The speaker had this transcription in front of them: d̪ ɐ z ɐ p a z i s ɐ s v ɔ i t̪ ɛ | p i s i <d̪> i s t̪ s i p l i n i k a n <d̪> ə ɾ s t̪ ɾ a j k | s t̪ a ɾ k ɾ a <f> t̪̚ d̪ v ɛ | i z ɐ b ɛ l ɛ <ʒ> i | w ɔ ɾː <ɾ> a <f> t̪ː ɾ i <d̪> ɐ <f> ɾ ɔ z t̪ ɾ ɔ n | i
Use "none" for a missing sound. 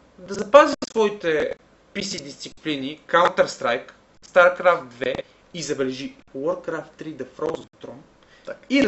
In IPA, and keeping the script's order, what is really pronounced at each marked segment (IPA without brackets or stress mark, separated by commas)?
d̪, t̪, f, ʒ, ɾ, f, d̪, f